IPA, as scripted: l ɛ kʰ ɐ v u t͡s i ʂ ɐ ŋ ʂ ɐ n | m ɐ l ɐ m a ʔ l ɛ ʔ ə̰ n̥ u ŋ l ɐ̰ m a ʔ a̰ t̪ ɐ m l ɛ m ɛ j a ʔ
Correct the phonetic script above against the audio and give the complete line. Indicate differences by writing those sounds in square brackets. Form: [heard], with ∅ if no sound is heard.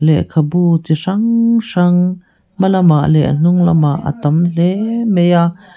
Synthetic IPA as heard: l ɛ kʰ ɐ [b] u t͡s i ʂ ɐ ŋ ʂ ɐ [ŋ] | m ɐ l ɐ m a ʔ l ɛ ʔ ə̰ n̥ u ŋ l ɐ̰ m a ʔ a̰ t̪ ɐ m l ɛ m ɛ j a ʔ